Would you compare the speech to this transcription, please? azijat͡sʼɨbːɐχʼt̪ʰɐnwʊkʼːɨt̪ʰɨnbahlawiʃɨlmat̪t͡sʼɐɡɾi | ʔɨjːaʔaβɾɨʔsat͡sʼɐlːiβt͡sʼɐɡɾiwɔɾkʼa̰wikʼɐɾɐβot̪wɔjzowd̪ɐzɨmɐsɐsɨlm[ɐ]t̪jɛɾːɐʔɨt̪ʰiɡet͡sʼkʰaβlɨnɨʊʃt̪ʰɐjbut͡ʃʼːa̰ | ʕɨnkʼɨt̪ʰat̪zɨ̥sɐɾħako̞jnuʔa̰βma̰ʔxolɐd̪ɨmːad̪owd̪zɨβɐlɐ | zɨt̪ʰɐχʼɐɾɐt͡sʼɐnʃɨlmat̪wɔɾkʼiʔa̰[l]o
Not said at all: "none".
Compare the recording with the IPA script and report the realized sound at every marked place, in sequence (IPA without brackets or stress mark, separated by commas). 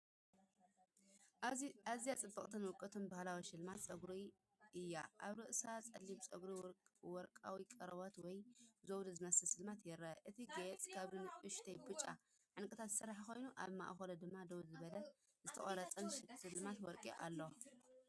a, lː